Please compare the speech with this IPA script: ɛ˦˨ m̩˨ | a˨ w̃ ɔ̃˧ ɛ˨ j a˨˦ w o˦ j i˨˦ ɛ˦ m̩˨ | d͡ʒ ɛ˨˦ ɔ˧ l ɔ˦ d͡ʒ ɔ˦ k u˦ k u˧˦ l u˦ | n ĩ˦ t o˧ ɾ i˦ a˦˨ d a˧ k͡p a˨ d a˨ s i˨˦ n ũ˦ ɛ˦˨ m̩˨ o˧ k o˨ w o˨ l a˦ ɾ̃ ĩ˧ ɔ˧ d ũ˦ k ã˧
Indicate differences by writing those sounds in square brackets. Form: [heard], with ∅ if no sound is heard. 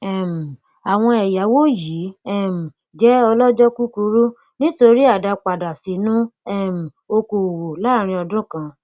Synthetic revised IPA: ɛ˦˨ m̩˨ | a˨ w̃ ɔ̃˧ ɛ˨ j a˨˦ w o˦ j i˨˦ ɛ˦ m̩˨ | d͡ʒ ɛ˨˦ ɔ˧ l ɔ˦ d͡ʒ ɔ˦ k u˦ k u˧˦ [ɾ] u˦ | n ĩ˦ t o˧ ɾ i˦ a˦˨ d a˧ k͡p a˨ d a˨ s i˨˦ n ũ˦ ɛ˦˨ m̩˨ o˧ k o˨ w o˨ l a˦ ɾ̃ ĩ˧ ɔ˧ d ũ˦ k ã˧